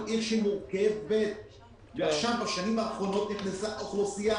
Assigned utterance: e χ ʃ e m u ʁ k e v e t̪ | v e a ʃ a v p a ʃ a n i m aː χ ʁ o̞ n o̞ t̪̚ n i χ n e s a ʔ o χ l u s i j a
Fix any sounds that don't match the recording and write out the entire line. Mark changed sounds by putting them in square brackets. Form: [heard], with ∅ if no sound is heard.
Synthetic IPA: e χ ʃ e m u ʁ k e v e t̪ | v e a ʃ a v [b] a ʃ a n i m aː χ ʁ o̞ n o̞ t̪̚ n i χ n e s a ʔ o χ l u s i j a